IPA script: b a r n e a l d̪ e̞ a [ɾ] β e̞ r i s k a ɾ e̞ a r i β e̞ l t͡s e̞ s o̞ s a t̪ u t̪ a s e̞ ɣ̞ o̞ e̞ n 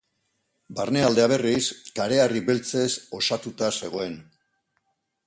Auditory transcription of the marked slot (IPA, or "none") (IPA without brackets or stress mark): none